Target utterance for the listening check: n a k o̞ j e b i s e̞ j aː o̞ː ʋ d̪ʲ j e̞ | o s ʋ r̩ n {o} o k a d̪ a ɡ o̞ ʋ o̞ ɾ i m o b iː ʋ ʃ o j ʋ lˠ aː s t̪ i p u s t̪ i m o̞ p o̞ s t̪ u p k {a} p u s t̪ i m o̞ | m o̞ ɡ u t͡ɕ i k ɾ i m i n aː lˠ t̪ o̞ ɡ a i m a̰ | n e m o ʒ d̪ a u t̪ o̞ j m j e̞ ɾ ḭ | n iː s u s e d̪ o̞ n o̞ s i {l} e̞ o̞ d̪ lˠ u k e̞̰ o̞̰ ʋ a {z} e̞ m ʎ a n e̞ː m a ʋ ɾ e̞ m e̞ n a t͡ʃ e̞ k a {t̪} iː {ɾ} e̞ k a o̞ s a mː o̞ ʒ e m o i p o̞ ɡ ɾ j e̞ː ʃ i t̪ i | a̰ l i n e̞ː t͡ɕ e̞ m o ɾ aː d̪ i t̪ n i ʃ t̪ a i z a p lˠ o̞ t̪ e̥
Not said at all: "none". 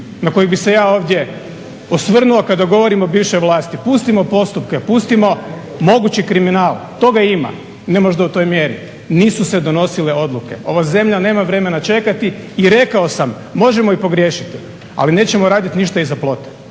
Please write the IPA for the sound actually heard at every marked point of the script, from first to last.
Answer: u, e, l, z, t̪, ɾ

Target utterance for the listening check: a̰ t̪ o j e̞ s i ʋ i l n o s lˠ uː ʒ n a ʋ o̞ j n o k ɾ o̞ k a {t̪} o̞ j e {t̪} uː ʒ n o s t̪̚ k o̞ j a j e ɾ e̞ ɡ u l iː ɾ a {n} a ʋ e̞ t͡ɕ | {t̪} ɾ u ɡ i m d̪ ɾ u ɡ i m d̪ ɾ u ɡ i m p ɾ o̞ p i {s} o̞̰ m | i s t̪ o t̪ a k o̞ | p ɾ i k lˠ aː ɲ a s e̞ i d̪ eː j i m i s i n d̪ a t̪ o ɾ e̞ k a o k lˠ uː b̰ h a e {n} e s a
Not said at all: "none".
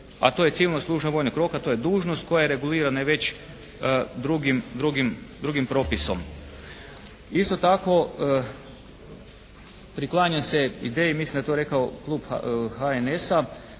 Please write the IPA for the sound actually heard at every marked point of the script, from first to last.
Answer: t̪, d̪, n, d̪, s, n

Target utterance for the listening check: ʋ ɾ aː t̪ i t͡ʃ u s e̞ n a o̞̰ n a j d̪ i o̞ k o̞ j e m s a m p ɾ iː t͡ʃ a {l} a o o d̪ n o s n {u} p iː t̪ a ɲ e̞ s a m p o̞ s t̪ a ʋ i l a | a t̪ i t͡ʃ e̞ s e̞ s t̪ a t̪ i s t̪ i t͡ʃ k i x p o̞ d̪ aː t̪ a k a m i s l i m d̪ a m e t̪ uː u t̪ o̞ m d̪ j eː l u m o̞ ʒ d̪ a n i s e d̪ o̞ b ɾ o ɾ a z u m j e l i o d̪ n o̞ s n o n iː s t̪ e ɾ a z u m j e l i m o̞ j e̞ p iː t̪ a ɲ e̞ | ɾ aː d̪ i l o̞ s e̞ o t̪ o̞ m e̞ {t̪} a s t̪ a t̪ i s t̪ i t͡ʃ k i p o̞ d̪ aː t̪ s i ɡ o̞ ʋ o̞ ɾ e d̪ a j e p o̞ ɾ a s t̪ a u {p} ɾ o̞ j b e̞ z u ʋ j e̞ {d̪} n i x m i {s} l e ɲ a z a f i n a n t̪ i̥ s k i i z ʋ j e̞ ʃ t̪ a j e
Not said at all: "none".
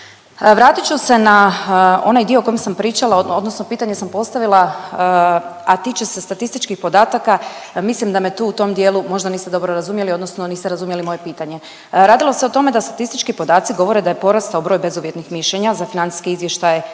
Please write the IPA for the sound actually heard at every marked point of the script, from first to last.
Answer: l, o, d̪, b, t̪, ʃ

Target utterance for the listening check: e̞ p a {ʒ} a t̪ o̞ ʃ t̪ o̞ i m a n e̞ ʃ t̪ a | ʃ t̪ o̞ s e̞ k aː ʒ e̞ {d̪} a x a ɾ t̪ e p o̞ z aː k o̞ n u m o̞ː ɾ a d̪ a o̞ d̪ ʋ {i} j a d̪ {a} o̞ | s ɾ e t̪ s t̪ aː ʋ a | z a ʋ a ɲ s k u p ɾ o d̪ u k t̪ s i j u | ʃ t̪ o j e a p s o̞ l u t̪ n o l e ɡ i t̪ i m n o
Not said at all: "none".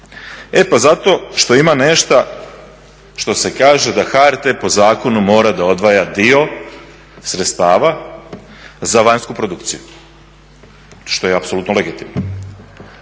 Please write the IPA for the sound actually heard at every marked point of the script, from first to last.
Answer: z, d̪, a, i

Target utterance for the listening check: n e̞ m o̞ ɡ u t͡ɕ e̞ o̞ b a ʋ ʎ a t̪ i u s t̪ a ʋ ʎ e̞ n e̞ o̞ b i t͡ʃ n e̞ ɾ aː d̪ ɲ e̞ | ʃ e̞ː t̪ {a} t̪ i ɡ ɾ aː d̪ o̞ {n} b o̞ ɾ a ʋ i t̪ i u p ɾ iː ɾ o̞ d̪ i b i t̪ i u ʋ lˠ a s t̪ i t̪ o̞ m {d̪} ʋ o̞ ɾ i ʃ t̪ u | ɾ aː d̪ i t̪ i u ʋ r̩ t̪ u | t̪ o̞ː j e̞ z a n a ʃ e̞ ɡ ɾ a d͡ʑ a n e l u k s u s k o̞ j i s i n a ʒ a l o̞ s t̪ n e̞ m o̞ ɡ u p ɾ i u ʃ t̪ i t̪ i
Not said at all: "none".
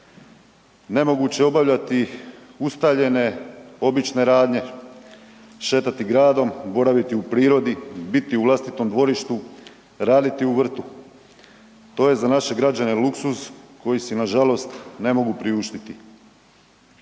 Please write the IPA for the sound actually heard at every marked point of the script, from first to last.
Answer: a, m, d̪

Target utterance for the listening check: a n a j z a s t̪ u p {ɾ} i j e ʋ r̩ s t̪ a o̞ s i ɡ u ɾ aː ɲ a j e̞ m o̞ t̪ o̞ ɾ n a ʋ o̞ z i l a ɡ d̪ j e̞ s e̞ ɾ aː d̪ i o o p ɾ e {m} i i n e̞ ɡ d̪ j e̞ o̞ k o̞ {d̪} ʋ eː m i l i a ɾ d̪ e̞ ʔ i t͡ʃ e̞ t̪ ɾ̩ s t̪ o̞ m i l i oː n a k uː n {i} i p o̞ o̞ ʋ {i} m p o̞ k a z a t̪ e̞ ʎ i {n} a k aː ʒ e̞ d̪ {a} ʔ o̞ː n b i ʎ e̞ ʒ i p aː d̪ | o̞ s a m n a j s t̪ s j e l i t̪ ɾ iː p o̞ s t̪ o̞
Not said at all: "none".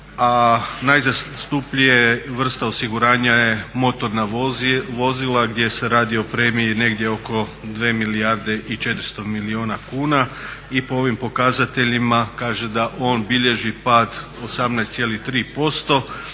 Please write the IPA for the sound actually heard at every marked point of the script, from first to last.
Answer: ʎ, m, d̪, a, i, m, a

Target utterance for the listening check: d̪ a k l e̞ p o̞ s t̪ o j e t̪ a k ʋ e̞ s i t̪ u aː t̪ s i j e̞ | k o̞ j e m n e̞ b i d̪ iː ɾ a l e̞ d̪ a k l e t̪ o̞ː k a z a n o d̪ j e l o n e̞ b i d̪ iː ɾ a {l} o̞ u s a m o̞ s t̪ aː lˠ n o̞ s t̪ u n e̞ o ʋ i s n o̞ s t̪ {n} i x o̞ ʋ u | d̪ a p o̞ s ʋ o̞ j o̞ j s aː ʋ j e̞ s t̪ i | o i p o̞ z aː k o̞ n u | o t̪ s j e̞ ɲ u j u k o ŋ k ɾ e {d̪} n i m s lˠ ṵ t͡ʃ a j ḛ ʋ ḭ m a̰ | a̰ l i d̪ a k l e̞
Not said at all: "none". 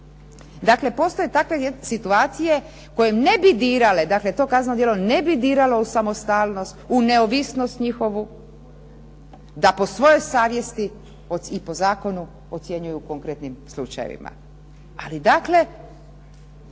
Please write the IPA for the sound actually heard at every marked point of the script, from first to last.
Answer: l, ɲ, t̪

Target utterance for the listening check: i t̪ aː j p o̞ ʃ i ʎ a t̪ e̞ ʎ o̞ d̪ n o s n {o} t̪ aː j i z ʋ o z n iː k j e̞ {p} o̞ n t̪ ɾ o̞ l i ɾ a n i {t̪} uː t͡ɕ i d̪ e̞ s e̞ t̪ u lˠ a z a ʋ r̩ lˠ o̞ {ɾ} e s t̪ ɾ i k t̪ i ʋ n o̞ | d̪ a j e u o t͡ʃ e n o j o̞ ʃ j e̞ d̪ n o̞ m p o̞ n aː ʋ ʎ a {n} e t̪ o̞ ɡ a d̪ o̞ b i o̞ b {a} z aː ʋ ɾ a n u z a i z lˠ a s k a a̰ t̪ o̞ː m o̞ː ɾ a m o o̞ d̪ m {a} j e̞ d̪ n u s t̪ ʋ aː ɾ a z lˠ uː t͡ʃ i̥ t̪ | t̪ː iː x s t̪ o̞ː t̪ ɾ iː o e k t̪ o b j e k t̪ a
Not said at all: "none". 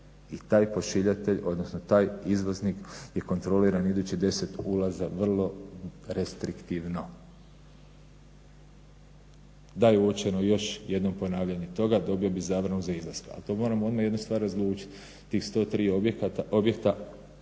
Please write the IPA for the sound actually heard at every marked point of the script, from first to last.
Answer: o, k, d̪, ɾ, ɲ, i, a

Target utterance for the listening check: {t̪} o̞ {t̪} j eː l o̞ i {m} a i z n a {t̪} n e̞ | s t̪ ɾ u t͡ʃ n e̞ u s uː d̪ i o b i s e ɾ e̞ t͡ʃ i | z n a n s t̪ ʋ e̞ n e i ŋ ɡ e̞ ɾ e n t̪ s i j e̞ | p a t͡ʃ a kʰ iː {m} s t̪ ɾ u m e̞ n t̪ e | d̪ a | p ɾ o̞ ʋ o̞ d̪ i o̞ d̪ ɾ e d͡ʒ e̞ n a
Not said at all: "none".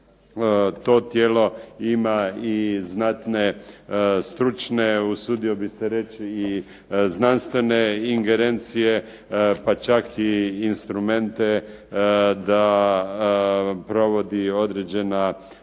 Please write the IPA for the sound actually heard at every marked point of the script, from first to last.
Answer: t̪, t̪, m, t̪, n

